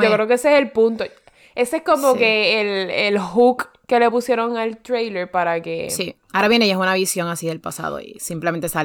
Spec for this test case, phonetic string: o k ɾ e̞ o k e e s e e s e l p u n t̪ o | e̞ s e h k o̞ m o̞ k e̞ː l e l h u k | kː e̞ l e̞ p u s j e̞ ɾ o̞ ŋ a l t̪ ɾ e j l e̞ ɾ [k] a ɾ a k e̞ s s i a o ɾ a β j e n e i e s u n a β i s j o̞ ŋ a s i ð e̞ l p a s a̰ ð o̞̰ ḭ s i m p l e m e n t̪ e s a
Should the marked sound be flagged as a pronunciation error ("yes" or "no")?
yes